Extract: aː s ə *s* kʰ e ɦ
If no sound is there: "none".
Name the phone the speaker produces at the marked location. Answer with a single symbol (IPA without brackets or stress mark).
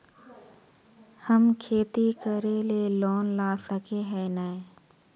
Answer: none